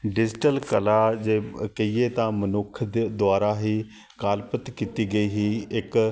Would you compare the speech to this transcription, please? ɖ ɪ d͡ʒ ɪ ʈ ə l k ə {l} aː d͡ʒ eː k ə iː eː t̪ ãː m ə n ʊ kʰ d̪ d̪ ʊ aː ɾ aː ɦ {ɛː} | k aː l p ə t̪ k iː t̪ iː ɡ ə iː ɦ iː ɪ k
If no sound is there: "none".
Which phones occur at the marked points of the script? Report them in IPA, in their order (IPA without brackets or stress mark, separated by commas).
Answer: l, iː